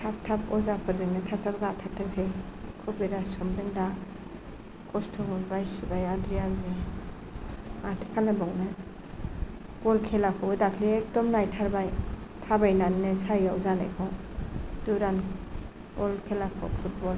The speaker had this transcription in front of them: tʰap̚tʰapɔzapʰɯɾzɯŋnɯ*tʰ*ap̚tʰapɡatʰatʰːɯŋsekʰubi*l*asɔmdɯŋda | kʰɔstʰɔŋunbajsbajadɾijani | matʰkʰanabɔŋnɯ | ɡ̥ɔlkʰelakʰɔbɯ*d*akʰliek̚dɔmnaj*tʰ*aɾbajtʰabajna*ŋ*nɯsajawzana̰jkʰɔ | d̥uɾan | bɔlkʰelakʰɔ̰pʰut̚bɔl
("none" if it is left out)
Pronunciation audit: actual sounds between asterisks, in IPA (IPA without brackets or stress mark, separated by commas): tʰ, ɾ, d, tʰ, n